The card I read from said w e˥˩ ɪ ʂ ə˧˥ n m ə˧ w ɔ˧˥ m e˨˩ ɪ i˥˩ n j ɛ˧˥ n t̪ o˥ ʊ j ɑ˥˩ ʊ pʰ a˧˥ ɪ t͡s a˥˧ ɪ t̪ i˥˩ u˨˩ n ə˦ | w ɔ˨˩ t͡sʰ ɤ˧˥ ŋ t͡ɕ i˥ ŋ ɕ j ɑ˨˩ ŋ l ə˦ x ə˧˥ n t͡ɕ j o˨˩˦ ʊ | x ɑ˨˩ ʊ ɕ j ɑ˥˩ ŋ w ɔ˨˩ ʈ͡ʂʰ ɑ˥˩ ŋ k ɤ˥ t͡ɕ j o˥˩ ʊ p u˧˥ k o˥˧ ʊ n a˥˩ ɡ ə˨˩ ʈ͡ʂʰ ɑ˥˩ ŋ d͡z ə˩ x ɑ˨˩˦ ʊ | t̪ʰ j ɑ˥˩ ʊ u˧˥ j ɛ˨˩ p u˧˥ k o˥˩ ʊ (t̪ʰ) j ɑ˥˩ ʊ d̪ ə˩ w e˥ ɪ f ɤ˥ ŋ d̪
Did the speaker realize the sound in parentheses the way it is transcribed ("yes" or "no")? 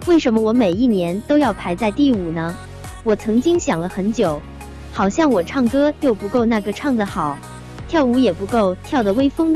yes